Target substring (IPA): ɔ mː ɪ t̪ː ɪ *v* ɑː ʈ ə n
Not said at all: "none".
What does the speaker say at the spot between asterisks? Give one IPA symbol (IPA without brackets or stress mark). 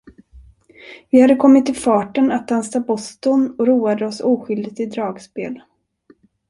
f